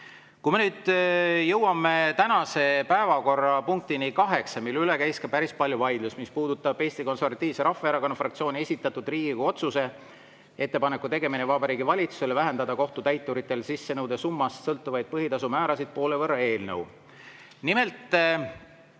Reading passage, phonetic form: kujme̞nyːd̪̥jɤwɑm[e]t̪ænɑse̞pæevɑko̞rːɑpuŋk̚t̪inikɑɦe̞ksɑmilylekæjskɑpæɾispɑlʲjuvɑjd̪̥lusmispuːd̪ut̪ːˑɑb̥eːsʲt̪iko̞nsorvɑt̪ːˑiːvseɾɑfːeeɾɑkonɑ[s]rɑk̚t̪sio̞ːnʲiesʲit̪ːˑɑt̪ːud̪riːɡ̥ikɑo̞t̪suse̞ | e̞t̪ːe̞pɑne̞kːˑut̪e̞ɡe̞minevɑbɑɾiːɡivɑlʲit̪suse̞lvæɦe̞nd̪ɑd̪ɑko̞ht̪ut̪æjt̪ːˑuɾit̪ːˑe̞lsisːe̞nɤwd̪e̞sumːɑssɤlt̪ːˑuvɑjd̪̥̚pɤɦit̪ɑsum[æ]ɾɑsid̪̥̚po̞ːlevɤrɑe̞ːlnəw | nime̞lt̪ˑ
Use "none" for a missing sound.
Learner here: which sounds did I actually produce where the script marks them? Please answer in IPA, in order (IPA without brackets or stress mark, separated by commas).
e, f, æː